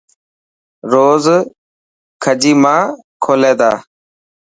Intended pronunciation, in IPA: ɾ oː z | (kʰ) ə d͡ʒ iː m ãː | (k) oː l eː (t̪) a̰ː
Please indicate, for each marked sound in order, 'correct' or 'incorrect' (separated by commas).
correct, incorrect, incorrect